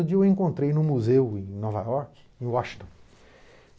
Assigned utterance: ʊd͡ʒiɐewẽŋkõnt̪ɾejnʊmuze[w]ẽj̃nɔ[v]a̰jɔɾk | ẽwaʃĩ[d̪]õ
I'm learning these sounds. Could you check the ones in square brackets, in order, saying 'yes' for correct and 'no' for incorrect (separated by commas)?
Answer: yes, yes, no